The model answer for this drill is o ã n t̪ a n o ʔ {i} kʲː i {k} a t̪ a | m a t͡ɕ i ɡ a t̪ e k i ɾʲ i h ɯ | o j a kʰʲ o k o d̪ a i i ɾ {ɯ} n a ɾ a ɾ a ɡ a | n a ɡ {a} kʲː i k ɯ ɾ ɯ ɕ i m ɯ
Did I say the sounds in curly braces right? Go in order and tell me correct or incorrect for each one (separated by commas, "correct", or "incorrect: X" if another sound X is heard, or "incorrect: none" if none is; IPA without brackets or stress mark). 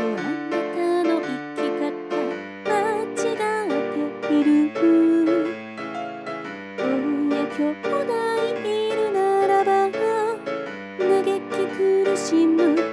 correct, correct, correct, incorrect: e